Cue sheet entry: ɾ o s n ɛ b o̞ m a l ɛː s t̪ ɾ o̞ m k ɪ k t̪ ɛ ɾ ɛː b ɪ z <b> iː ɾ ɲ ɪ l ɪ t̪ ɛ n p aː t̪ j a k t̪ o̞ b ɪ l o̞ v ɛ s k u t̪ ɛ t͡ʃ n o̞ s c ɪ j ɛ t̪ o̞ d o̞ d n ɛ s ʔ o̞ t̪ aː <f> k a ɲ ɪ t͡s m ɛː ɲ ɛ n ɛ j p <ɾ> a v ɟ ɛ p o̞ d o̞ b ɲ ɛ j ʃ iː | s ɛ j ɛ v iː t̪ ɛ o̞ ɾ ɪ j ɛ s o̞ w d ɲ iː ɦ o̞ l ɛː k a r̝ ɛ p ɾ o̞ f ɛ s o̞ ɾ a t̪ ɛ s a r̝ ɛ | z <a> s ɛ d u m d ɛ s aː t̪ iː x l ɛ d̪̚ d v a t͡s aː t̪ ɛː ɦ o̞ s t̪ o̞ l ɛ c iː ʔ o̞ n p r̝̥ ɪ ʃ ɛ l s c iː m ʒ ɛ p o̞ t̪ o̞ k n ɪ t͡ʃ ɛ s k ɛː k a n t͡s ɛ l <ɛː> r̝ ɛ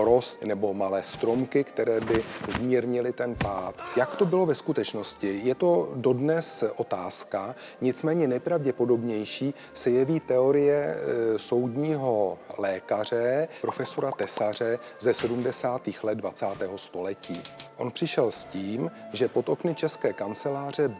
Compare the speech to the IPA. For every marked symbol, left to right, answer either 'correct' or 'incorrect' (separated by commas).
incorrect, incorrect, correct, incorrect, incorrect